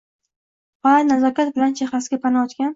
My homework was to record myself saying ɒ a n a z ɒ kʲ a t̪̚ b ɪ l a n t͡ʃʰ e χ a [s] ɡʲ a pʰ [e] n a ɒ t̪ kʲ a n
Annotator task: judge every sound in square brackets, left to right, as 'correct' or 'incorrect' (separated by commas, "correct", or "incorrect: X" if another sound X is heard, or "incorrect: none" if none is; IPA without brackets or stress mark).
correct, incorrect: a